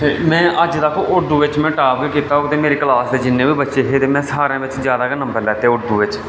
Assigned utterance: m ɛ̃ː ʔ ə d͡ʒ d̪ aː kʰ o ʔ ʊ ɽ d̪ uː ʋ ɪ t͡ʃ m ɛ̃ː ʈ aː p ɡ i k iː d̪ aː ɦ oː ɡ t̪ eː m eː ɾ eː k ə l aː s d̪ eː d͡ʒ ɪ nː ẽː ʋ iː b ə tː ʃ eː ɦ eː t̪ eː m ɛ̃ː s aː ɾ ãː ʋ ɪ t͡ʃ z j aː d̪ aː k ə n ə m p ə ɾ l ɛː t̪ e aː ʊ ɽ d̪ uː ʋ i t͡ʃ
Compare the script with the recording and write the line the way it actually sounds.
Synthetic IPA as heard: m ɛ̃ː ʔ ə d͡ʒ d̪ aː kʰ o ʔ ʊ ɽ d̪ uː ʋ ɪ t͡ʃ m ɛ̃ː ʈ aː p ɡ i k iː t̪ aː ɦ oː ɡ t̪ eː m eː ɾ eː k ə l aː s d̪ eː d͡ʒ ɪ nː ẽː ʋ iː b ə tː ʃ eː ɦ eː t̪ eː m ɛ̃ː s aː ɾ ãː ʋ ɪ t͡ʃ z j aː d̪ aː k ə n ə m b ə ɾ l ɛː t̪ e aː ʊ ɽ d̪ uː ʋ ɪ t͡ʃ